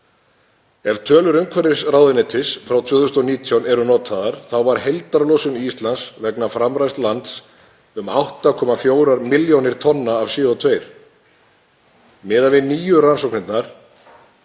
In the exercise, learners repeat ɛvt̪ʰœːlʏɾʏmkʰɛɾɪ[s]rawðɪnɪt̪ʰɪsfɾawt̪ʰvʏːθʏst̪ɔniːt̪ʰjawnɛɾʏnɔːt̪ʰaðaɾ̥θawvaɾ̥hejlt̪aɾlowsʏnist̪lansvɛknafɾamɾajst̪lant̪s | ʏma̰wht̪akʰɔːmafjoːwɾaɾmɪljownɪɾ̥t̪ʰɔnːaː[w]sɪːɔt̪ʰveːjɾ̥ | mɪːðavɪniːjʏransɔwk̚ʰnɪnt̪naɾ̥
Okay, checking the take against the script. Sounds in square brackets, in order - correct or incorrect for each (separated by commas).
correct, incorrect